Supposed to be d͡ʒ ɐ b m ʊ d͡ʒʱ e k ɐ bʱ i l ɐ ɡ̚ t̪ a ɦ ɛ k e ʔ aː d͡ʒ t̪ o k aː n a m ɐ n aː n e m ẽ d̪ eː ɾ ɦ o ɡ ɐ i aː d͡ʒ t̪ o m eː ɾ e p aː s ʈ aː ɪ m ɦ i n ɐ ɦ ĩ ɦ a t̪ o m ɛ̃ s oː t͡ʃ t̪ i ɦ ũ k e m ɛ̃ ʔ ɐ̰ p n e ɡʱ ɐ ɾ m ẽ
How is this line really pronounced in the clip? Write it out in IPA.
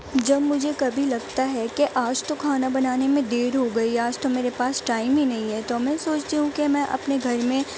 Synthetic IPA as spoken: d͡ʒ ɐ b m ʊ d͡ʒʱ e k ɐ bʱ i l ɐ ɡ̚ t̪ a ɦ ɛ k e ʔ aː d͡ʒ t̪ o kʰ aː n a b ɐ n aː n e m ẽ d̪ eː ɾ ɦ o ɡ ɐ i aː d͡ʒ t̪ o m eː ɾ e p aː s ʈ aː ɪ m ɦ i n ɐ ɦ ĩ ɦ ɛ t̪ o m ɛ̃ s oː t͡ʃ t̪ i ɦ ũ k e m ɛ̃ ʔ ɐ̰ p n e ɡʱ ɐ ɾ m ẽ